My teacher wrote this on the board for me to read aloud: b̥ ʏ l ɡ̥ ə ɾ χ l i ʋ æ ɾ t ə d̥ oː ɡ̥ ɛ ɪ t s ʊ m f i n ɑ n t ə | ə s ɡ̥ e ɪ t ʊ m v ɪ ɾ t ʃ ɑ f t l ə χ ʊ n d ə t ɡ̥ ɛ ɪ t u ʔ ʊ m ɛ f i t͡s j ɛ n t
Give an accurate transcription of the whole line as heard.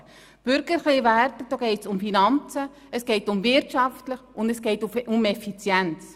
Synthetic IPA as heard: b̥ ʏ ɾ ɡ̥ ə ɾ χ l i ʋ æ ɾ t ə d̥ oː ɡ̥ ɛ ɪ t s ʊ m f i n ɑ n t͡s ə | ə s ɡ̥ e ɪ t ʊ m v ɪ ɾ t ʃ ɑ f t l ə χ ʊ n d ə s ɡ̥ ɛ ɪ t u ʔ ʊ m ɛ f i t͡s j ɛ n t͡s